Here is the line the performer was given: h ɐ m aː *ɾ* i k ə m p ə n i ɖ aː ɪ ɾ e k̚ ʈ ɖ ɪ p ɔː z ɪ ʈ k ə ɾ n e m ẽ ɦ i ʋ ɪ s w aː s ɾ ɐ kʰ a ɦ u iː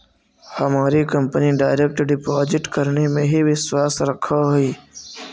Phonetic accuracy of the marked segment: correct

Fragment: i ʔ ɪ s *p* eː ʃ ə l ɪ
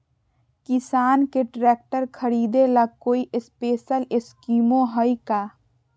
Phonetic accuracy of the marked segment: correct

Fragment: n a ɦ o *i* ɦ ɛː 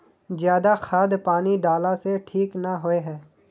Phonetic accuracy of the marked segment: incorrect: e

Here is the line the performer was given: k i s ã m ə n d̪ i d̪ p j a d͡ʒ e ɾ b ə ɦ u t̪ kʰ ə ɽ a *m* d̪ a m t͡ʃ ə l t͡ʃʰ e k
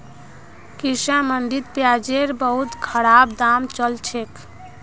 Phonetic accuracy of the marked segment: incorrect: b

